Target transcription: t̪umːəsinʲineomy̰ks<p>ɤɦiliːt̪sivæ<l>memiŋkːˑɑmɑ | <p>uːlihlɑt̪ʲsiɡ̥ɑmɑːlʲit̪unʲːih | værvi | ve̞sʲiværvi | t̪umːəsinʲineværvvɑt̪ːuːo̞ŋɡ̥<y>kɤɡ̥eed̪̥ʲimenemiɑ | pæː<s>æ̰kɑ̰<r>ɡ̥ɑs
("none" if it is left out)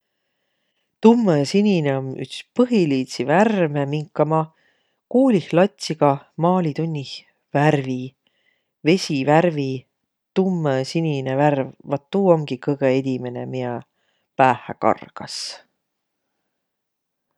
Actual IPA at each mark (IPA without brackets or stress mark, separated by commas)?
p, r, k, i, h, r